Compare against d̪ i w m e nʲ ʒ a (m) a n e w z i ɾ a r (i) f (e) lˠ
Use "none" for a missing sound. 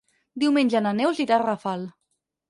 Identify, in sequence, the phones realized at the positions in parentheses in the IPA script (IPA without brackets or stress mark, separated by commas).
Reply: n, a, a